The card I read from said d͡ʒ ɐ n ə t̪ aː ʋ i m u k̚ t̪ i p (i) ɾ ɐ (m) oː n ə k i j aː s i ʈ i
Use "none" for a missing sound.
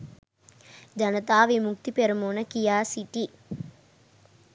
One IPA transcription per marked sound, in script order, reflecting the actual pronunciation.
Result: e, m

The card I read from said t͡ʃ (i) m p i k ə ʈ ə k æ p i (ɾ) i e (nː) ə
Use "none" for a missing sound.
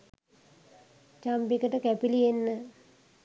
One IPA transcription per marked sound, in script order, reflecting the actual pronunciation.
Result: a, l, nː

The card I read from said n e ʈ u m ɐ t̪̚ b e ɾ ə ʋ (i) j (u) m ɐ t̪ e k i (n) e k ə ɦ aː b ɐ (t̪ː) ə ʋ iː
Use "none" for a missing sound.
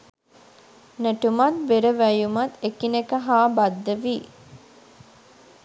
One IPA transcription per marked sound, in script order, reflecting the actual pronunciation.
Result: æ, u, n, d̪ː

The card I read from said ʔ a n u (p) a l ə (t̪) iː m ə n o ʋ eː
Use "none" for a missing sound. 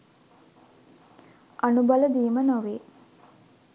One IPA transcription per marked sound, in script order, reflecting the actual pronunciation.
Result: b, d̪

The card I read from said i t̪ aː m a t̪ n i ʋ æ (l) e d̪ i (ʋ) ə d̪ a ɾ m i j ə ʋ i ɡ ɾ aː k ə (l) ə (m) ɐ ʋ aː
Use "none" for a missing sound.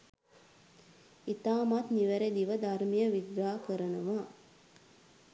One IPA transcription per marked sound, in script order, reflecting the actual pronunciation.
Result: ɾ, ʋ, ɾ, n

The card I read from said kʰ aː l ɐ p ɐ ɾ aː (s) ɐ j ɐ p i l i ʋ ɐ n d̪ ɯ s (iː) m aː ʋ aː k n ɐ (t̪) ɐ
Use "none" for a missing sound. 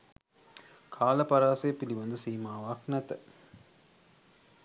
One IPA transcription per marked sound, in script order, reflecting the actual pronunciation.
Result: s, iː, t̪

